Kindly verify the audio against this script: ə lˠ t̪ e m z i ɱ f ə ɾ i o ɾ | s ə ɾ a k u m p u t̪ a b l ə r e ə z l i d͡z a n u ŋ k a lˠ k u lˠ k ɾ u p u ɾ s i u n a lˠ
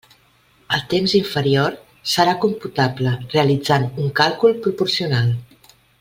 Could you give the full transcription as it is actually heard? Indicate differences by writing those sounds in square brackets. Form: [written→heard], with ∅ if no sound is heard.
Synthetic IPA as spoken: ə lˠ t̪ e m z i ɱ f ə ɾ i o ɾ | s ə ɾ a k u m p u t̪ a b l ə r e ə [z→∅] l i d͡z a n u ŋ k a lˠ k u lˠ [k→p] ɾ u p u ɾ s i u n a lˠ

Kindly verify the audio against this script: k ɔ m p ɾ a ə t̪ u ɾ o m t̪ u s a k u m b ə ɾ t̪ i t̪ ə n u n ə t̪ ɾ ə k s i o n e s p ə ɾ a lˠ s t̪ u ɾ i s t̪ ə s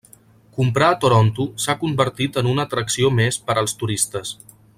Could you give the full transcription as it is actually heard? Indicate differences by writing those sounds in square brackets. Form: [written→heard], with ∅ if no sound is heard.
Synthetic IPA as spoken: k [ɔ→u] m p ɾ a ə t̪ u ɾ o [m→n] t̪ u s a k u m b ə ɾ t̪ i t̪ ə n u n ə t̪ ɾ ə k s i o [n→m] e s p ə ɾ [a→ə] lˠ s t̪ u ɾ i s t̪ ə s

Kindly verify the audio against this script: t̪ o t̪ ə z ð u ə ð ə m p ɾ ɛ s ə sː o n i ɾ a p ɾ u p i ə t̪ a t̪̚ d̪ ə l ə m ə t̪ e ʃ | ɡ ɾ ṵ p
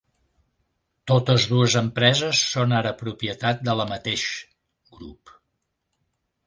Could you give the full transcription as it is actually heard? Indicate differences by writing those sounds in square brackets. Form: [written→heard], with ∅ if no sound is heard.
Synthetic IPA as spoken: t̪ o t̪ ə z ð u ə [ð→z] ə m p ɾ ɛ [s→z] ə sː o n [i→a] ɾ [a→ə] p ɾ u p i ə t̪ a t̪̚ d̪ ə l ə m ə t̪ e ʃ | ɡ ɾ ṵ p

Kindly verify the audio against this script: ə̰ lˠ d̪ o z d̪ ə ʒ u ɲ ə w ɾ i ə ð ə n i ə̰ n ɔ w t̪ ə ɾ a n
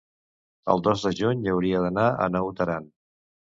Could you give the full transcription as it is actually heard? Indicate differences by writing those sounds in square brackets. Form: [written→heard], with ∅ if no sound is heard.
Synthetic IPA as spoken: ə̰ lˠ d̪ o z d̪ ə ʒ u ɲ ə w ɾ i ə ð ə n [i→a] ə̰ n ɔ w t̪ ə ɾ a n

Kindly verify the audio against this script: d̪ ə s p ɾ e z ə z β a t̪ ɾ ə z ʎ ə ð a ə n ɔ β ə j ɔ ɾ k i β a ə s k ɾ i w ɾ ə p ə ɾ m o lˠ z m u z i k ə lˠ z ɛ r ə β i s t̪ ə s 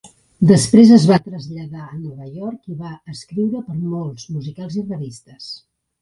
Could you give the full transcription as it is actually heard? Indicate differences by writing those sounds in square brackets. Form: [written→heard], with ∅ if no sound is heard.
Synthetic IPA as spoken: d̪ ə s p ɾ e z ə z β a t̪ ɾ ə z ʎ ə ð a ə n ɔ β ə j ɔ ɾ k i β a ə s k ɾ i w ɾ ə p ə ɾ m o lˠ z m u z i k [ə→a] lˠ z [ɛ→i] r ə β i s t̪ ə s

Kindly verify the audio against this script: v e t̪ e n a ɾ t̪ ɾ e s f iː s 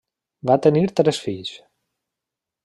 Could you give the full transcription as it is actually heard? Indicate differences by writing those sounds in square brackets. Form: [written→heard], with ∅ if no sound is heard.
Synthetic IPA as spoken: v [e→a] t̪ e n [a→i] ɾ t̪ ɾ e s f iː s

